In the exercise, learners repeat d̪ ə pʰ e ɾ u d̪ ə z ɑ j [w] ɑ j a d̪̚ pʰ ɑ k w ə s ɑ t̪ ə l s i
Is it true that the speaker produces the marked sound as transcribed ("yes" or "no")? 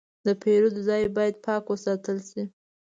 no